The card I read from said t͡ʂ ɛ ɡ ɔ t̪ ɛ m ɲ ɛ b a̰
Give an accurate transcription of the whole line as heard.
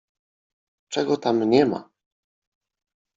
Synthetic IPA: t͡ʂ ɛ ɡ ɔ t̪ a m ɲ ɛ m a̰